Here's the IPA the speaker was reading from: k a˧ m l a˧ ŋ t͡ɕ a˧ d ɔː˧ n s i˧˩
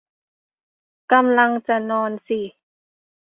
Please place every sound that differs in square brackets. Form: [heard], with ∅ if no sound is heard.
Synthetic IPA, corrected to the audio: k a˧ m l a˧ ŋ t͡ɕ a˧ [n] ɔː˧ n s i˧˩